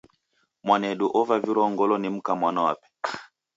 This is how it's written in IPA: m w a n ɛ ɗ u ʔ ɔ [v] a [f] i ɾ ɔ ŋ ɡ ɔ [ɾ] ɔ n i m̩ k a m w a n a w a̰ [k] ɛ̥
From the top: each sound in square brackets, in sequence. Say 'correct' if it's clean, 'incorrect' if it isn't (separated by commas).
correct, incorrect, incorrect, incorrect